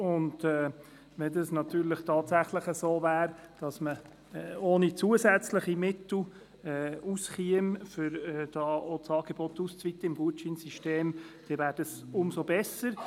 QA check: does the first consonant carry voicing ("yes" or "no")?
yes